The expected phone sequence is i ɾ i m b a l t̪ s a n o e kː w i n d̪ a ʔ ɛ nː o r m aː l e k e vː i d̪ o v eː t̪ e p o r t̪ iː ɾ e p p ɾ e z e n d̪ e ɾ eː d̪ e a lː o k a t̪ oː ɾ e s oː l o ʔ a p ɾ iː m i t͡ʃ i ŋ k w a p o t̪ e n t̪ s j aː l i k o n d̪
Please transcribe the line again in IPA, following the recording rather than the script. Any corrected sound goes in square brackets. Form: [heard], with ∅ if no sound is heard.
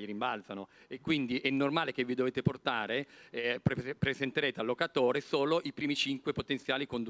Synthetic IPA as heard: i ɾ i m b a l t̪ s a n o e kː w i n d̪ [i] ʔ ɛ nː o r m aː l e k e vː i d̪ o v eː t̪ e p o r t̪ [aː] ɾ e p p ɾ e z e n [t̪] e ɾ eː [t̪] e a lː o k a t̪ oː ɾ e s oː l o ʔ [i] p ɾ iː m i t͡ʃ i ŋ k w [e] p o t̪ e n t̪ s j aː l i k o n d̪